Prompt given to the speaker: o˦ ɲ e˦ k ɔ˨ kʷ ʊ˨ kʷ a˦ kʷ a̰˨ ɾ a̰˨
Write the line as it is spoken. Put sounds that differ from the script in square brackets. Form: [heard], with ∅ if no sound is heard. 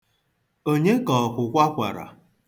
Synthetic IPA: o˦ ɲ e˦ k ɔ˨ kʷ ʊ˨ kʷ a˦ kʷ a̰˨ ɾ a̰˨